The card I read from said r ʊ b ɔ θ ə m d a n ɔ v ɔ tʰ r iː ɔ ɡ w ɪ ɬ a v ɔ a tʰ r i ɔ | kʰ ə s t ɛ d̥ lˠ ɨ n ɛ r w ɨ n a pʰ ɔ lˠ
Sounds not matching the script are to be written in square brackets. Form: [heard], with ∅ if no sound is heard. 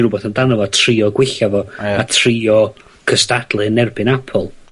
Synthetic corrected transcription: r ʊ b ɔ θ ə [n] d a n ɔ v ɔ tʰ r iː ɔ ɡ w ɪ ɬ a v ɔ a tʰ r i ɔ | kʰ ə s t [a] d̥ lˠ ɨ n ɛ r [b] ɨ n a pʰ ɔ lˠ